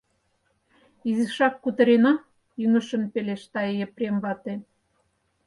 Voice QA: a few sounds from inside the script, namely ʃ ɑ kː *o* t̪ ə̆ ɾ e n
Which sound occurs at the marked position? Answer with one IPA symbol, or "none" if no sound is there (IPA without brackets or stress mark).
u